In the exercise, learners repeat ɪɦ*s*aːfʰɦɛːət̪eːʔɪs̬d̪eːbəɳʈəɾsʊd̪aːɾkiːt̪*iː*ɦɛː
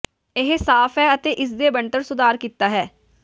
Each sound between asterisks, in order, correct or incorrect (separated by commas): correct, incorrect